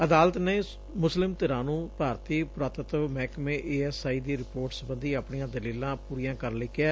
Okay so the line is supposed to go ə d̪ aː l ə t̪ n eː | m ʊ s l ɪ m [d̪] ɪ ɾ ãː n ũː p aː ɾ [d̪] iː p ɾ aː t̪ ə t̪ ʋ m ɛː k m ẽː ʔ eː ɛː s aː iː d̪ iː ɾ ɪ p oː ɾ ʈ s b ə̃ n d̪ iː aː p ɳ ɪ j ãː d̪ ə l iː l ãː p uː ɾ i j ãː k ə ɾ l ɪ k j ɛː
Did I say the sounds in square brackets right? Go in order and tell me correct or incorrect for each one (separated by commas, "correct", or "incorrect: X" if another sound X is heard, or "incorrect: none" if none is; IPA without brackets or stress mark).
incorrect: t̪, incorrect: t̪